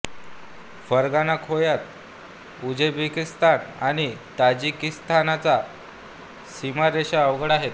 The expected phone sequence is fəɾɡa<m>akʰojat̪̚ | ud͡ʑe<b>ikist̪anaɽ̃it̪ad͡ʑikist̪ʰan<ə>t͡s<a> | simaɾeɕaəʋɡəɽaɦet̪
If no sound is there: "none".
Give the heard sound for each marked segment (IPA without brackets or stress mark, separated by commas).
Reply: n, b, a, a